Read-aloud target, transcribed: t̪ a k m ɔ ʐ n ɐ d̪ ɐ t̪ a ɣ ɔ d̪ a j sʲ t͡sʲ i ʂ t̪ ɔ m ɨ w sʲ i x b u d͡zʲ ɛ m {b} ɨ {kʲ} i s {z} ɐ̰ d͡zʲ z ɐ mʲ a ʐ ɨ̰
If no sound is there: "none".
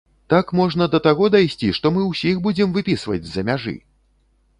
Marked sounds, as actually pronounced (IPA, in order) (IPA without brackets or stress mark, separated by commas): v, pʲ, v